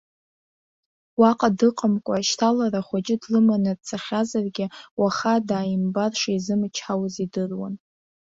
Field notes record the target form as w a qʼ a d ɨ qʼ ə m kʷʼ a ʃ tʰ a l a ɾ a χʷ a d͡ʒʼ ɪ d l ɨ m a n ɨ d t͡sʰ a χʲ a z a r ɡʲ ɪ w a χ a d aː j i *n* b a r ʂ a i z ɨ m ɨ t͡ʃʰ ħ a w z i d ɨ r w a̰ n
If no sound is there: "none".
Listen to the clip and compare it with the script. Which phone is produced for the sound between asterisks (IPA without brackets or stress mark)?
m